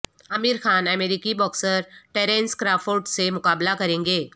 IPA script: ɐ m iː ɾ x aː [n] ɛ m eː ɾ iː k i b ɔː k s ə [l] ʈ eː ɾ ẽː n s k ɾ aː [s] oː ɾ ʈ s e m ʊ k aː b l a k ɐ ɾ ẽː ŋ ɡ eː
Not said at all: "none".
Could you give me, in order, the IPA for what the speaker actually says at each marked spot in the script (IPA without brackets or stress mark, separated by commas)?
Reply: n, ɾ, f